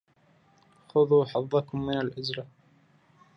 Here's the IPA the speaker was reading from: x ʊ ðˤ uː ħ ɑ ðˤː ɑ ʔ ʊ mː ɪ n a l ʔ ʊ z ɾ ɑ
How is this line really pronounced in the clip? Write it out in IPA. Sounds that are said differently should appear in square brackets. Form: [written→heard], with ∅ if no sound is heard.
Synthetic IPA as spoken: x ʊ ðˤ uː ħ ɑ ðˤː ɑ [ʔ→k] ʊ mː ɪ n a l ʔ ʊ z ɾ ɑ